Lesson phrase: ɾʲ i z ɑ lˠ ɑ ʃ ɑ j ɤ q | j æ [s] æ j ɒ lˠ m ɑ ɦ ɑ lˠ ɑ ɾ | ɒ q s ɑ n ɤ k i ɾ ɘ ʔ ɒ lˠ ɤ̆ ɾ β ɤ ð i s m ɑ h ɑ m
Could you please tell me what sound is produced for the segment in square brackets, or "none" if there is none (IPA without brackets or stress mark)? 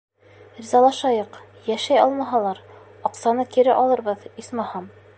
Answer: ʃ